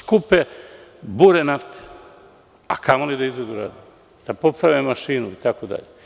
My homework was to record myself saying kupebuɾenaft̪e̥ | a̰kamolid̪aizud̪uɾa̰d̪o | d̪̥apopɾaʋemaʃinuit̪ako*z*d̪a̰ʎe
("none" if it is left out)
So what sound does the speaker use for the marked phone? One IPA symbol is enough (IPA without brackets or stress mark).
none